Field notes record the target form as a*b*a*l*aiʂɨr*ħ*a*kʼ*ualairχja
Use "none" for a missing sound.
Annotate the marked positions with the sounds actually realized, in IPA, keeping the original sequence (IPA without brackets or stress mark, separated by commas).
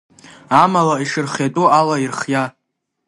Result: m, l, χ, tʼ